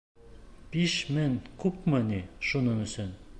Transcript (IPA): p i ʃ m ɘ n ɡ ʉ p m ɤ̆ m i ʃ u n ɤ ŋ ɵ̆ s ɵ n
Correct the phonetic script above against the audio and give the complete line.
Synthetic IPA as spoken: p i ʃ m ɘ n k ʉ p m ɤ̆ n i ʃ u n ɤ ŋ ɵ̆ s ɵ n